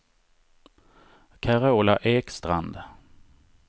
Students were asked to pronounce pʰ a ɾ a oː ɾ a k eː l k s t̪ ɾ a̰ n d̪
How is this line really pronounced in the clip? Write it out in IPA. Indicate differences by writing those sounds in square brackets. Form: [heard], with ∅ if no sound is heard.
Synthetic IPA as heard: [kʰ] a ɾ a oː [l] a [ʔ] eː [∅] k s t̪ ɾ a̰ n d̪